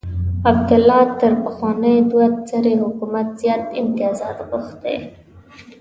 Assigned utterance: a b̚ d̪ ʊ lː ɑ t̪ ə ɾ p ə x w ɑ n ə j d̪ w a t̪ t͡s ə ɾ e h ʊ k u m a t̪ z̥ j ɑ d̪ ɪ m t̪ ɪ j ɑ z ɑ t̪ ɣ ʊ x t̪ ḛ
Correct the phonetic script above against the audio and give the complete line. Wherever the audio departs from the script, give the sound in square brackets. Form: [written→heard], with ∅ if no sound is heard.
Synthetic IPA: a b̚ d̪ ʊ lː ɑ t̪ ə ɾ p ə x w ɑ n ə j d̪ w a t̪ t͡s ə ɾ e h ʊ k u m a t̪ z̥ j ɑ [d̪→t̪] ɪ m t̪ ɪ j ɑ z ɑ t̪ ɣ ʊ x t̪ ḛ

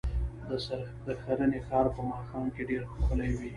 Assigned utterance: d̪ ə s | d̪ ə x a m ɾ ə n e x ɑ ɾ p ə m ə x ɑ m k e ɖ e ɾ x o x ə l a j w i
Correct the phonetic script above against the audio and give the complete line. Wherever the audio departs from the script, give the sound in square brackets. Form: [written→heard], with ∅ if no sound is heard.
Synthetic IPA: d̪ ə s | d̪ ə x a [m→∅] ɾ ə n e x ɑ ɾ p ə m [ə→ɑ] x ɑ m k e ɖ e ɾ x o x ə l a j w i

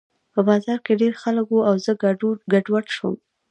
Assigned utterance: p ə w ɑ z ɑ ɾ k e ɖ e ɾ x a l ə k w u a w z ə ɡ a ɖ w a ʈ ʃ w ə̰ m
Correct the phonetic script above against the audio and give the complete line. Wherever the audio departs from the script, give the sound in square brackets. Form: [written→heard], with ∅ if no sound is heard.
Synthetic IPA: p ə [w→b] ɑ z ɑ ɾ k e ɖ e ɾ x a l ə k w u a w z ə ɡ a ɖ w a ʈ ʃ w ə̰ m

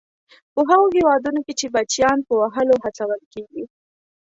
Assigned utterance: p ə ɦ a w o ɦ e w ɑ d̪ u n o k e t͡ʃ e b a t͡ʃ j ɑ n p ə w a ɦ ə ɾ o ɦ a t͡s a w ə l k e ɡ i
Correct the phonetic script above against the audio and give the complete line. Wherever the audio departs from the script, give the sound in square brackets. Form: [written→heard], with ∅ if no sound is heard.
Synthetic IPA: p ə ɦ a [w→ɣ] o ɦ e w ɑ d̪ u n o k e t͡ʃ e b a t͡ʃ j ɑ n p ə w a ɦ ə [ɾ→l] o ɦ a t͡s a w ə l k e ɡ i

